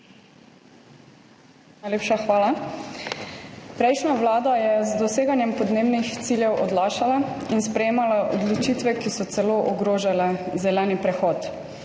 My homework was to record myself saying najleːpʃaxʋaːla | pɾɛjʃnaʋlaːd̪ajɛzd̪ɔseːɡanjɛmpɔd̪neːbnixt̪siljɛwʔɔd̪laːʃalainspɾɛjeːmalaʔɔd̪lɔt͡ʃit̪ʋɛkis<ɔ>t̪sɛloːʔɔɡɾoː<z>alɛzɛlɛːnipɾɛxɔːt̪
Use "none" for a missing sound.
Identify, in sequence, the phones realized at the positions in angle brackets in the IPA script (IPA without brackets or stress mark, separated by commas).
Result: ɔ, ʒ